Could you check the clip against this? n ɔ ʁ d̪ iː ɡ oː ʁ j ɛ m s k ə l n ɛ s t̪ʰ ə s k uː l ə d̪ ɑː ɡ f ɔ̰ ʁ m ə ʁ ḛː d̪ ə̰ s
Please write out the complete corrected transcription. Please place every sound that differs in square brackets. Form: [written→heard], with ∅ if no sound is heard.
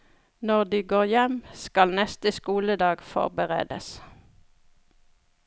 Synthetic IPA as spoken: n ɔ ʁ d̪ iː ɡ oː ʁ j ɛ m s k [ə→ɑ] l n ɛ s [t̪ʰ→t̪] ə s k uː l ə d̪ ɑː ɡ f ɔ̰ ʁ [m→b] ə ʁ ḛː d̪ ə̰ s